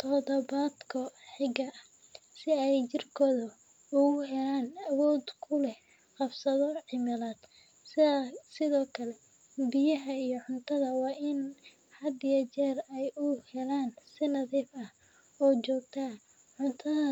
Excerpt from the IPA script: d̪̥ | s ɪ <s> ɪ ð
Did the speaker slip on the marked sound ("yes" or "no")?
no